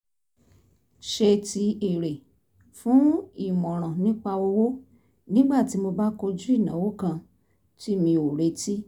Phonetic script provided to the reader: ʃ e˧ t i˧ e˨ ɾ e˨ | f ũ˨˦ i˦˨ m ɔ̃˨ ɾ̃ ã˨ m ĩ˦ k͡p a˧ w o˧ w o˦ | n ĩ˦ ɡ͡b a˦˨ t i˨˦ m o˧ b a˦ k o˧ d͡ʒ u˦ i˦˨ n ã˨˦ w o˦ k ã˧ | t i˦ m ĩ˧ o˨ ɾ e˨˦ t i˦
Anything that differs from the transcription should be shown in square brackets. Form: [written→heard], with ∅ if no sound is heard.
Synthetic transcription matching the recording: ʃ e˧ t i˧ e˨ ɾ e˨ | f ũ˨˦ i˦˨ m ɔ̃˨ ɾ̃ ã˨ [m→n] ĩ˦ k͡p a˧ w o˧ w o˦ | n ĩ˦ ɡ͡b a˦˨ t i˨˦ m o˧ b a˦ k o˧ d͡ʒ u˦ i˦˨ n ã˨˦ w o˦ k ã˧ | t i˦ m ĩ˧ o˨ ɾ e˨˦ t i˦